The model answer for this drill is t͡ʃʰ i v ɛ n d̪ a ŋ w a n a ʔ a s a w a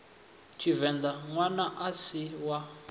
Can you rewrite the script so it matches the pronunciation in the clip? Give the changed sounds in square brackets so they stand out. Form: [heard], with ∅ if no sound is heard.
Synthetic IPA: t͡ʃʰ i v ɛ n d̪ a ŋ w a n a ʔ a s [i] w a